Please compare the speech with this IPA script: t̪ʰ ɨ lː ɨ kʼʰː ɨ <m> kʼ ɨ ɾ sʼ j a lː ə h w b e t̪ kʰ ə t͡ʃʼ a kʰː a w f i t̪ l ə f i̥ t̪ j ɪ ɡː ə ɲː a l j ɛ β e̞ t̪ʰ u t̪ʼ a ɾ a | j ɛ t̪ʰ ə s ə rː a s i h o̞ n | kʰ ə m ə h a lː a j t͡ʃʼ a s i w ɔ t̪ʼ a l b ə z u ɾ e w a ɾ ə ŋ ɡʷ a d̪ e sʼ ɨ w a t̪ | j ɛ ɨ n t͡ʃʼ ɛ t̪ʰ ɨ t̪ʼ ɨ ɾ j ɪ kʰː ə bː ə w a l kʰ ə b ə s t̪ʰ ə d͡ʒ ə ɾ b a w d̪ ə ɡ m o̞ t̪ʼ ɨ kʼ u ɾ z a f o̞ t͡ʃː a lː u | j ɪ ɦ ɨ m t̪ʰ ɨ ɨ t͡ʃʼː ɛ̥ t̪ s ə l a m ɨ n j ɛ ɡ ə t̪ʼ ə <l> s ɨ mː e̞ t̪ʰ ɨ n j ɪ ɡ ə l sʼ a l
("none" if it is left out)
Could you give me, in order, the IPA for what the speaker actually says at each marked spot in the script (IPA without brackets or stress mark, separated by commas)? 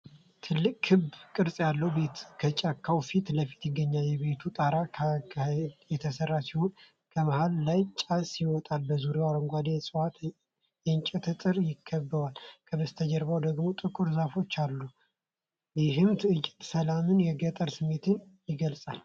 b, ɾ